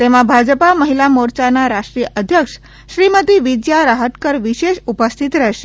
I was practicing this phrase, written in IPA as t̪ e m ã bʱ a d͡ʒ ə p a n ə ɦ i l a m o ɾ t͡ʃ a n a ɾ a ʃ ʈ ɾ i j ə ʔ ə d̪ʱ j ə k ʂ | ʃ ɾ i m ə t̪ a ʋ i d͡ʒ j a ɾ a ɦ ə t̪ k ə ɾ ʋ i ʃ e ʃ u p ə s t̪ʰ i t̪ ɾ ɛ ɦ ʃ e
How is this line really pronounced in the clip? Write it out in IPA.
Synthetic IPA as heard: t̪ e m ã bʱ a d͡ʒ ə p a m ə ɦ i l a m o ɾ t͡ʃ a n a ɾ a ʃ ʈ ɾ i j ə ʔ ə d̪ʱ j ə k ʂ | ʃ ɾ i m ə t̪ i ʋ i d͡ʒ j a ɾ a ɦ ə t̪ k ə ɾ ʋ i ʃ e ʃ u p ə s t̪ʰ i t̪ ɾ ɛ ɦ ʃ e